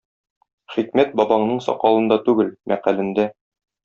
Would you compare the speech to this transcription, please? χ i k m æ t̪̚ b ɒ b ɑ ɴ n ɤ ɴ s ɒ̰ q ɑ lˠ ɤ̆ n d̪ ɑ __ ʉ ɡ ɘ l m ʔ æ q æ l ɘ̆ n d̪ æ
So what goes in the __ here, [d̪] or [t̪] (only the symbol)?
t̪